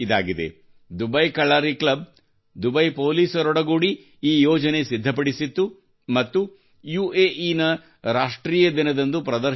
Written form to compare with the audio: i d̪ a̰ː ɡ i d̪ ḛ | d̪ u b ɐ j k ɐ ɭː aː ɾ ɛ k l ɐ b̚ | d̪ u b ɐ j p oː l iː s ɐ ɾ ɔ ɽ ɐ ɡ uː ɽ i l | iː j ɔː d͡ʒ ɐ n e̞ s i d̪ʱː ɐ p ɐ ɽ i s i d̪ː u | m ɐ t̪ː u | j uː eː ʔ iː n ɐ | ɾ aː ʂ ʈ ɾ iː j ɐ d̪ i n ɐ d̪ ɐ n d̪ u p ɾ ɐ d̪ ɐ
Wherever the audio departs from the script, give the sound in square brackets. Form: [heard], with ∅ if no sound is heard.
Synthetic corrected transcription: i d̪ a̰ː ɡ i d̪ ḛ | d̪ u b ɐ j k ɐ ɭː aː ɾ [i] k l ɐ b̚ | d̪ u b ɐ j p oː l iː s ɐ ɾ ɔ ɽ ɐ ɡ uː ɽ i [∅] | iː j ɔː d͡ʒ ɐ n e̞ s i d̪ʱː ɐ p ɐ ɽ i s i [t̪ː] u | m ɐ t̪ː u | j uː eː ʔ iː n ɐ | ɾ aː ʂ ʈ ɾ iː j ɐ d̪ i n ɐ d̪ ɐ n d̪ u p ɾ ɐ d̪ ɐ

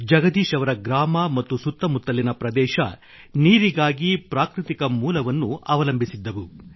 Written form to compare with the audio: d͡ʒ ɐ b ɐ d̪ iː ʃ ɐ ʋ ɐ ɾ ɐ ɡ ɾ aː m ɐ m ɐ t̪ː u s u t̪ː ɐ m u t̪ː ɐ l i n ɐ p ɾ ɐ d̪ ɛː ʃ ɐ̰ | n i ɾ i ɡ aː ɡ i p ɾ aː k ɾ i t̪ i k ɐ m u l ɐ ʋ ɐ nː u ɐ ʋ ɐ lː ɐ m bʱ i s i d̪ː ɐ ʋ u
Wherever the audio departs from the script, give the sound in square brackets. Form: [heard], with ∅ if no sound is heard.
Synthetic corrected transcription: d͡ʒ ɐ [ɡ] ɐ d̪ iː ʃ ɐ ʋ ɐ ɾ ɐ ɡ ɾ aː m ɐ m ɐ t̪ː u s u t̪ː ɐ m u t̪ː ɐ l i n ɐ p ɾ ɐ d̪ ɛː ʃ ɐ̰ | n [iː] ɾ i ɡ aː ɡ i p ɾ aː k ɾ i t̪ i k ɐ m [uː] l ɐ ʋ ɐ nː u ɐ ʋ ɐ [l] ɐ m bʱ i s i d̪ː ɐ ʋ u

